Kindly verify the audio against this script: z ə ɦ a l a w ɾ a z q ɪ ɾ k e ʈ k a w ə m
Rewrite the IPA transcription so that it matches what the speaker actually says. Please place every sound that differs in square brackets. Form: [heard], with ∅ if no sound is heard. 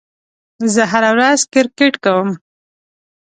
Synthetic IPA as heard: z ə ɦ a [ɾ] a w ɾ a z [k] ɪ ɾ k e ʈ k a w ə m